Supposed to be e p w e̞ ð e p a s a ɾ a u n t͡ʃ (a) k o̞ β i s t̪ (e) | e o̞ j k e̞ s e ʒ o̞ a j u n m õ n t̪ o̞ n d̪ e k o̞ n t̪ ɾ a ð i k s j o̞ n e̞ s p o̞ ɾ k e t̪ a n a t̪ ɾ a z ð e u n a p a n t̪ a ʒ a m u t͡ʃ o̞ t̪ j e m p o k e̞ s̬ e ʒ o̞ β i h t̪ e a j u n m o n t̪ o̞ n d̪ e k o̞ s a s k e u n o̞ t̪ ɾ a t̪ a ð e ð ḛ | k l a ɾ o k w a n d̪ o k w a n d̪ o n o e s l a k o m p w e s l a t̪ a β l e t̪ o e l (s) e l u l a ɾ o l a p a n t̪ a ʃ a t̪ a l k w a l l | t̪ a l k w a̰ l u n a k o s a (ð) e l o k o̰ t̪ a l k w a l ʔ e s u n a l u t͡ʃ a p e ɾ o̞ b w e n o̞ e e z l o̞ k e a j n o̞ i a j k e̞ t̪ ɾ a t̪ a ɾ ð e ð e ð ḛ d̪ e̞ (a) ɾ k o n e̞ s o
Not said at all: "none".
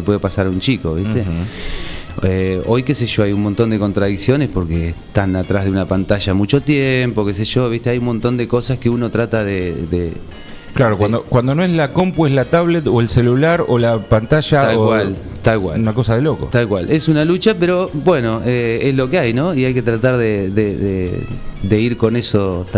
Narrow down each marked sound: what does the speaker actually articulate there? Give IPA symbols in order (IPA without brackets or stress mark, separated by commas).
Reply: i, e, s, ð, i